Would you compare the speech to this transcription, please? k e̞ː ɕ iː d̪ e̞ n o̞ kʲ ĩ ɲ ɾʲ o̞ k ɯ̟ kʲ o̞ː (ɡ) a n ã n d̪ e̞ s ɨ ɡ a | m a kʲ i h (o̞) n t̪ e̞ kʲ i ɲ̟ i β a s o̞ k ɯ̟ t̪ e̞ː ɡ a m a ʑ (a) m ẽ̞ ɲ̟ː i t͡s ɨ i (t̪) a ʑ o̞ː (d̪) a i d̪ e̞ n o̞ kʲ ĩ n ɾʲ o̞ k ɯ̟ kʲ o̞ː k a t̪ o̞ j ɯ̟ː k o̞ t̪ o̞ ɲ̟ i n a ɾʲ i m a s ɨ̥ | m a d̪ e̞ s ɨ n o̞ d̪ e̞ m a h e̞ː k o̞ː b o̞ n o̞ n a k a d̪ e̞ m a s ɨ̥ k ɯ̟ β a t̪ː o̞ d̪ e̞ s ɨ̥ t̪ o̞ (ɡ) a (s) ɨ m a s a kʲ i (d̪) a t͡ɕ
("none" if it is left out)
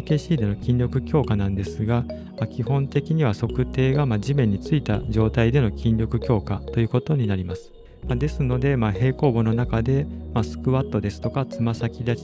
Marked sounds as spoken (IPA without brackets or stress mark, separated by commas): k, õ̞, i, t̪, t̪, k, t͡s, d̪